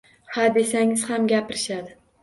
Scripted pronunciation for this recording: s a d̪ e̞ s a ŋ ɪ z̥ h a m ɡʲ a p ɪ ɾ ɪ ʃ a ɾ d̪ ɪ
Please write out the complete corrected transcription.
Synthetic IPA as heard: h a d̪ e̞ s a ŋ ɪ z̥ h a m ɡʲ a p ɪ ɾ ɪ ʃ a d̪ ɪ

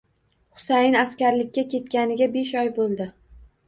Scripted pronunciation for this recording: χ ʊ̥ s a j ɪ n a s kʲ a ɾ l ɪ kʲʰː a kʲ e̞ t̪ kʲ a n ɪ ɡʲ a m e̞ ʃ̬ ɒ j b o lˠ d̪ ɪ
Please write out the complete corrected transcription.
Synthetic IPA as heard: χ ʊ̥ s a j ɪ n a s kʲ a ɾ l ɪ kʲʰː a kʲ e̞ t̪ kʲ a n ɪ ɡʲ a b e̞ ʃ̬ ɒ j b o lˠ d̪ ɪ

